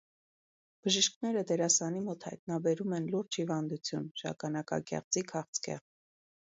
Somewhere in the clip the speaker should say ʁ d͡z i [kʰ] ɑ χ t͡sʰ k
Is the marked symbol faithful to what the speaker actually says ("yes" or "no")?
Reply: yes